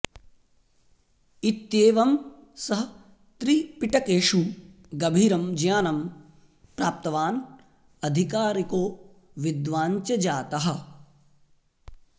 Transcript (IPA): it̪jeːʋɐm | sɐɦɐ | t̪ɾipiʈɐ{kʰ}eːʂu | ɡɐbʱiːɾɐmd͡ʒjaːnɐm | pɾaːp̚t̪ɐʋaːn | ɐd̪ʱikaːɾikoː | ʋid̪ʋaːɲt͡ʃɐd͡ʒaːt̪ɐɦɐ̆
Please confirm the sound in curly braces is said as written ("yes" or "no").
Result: no